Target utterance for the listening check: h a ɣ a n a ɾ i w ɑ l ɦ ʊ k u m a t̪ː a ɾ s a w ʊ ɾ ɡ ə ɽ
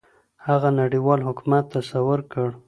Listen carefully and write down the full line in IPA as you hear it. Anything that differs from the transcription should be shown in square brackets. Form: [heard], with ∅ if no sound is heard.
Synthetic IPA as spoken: h a ɣ a n a [ɽ] i w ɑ l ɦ ʊ k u m a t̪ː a [∅] s a w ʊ ɾ [k] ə ɽ